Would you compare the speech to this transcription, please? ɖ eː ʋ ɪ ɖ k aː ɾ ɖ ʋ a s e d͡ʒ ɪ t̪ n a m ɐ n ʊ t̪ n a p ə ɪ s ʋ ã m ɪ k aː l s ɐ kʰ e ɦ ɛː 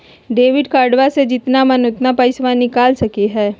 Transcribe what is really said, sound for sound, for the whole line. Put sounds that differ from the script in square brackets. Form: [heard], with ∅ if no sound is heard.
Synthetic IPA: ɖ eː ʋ ɪ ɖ k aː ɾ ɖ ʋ a s e d͡ʒ ɪ t̪ n a m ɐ n ʊ t̪ n a p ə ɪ s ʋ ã [n] ɪ k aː l s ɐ [k] e ɦ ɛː

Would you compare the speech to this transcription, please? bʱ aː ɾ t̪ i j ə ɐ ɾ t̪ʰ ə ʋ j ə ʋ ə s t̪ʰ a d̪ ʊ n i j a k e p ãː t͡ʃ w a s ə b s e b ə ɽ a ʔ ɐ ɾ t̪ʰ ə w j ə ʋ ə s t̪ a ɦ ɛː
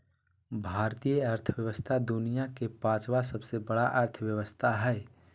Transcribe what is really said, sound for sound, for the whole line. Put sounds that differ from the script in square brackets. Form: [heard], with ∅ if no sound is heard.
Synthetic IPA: bʱ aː ɾ t̪ i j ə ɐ ɾ t̪ʰ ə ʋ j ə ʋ ə s t̪ʰ a d̪ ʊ n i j a k e p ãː t͡ʃ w a s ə b s e b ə ɽ a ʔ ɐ ɾ t̪ʰ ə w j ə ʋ ə s [t̪ʰ] a ɦ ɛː

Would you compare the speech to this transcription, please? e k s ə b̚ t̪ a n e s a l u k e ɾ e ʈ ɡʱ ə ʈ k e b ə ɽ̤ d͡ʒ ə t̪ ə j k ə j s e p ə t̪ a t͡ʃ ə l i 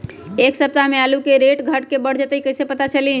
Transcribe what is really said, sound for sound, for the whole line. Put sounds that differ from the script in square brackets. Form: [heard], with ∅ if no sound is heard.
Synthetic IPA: e k s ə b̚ t̪ a [m] e [∅] a l u k e ɾ e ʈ ɡʱ ə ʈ k e b ə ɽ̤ d͡ʒ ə t̪ ə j k ə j s e p ə t̪ a t͡ʃ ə l i

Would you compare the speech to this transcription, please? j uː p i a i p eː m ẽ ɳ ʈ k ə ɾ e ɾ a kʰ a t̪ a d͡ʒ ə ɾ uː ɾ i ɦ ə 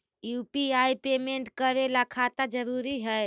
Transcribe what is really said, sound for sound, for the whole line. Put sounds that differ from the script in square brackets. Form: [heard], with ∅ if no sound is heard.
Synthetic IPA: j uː p i a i p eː m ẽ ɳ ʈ k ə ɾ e [l] a kʰ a t̪ a d͡ʒ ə ɾ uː ɾ i ɦ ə

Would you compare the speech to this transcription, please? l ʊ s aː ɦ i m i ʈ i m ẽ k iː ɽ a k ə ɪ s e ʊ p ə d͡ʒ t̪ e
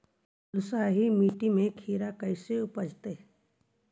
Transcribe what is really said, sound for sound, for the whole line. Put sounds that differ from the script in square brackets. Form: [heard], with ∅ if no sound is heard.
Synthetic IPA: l ʊ s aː ɦ i m [iː] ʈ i m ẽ [kʰ] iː [ɾ] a k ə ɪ s e ʊ p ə d͡ʒ t̪ e

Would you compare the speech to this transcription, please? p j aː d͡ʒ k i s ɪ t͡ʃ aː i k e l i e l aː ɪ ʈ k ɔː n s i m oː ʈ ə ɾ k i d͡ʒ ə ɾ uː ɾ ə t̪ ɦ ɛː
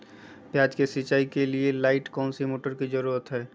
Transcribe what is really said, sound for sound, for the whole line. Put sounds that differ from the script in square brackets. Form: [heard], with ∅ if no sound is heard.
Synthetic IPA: p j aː d͡ʒ k [e] s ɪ t͡ʃ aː i k e l i e l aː ɪ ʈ k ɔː n s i m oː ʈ ə ɾ k i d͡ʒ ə ɾ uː ɾ ə t̪ ɦ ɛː

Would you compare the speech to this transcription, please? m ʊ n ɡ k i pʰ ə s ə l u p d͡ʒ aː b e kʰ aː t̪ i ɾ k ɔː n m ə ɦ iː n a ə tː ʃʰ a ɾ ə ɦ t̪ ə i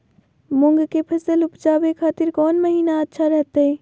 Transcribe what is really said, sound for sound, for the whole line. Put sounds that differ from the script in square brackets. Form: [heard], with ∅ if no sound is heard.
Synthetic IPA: m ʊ [ŋ] ɡ k [e] pʰ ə s ə l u p d͡ʒ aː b e kʰ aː t̪ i ɾ k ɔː n m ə ɦ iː n a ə tː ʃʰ a ɾ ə ɦ t̪ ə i

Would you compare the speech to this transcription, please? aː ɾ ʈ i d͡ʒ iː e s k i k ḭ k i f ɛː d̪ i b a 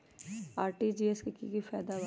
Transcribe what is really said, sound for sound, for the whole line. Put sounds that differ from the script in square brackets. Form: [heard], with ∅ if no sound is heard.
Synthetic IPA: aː ɾ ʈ i d͡ʒ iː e s k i k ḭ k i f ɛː d̪ [a] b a

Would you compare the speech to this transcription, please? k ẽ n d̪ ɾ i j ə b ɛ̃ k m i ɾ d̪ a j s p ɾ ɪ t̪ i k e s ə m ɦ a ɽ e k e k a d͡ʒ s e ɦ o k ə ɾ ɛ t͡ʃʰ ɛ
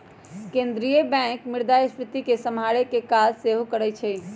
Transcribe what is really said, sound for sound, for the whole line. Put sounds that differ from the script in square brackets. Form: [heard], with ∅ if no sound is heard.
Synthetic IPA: k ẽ n d̪ ɾ i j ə b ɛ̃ k m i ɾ d̪ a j s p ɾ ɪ t̪ i k e s ə m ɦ a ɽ e k e k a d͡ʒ s e ɦ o k ə ɾ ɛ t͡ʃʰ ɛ

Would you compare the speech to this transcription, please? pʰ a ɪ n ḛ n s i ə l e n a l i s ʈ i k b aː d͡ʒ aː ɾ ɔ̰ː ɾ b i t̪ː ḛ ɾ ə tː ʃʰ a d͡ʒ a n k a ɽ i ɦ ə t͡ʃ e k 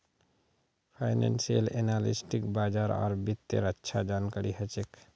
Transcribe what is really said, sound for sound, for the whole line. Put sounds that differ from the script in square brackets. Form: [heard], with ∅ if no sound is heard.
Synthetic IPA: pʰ a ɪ n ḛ n s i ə l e n a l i s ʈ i k b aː d͡ʒ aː ɾ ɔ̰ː ɾ b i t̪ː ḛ ɾ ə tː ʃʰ a d͡ʒ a n k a [ɾ] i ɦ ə t͡ʃ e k

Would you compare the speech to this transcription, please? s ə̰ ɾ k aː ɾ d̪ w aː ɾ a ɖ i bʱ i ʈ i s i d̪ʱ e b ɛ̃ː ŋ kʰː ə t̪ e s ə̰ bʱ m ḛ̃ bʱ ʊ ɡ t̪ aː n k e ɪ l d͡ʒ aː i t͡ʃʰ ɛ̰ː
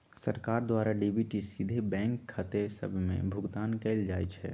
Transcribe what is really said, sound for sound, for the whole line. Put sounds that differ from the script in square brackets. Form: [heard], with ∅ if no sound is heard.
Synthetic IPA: s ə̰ ɾ k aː ɾ d̪ w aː ɾ a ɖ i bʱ i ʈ i s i d̪ʱ e b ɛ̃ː ŋ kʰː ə t̪ e s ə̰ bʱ m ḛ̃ bʱ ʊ ɡ t̪ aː n k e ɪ l d͡ʒ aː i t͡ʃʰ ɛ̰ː

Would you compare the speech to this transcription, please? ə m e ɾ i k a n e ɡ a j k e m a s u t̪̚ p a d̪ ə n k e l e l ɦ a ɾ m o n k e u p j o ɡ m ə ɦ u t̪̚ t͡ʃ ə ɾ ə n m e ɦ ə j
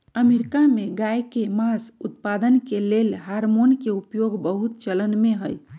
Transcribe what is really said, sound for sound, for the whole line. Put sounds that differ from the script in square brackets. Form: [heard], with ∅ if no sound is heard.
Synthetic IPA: ə m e ɾ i k a [m] e ɡ a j k e m a s u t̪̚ p a d̪ ə n k e l e l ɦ a ɾ m o n k e u p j o ɡ [b] ə ɦ u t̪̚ t͡ʃ ə [l] ə n m e ɦ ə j

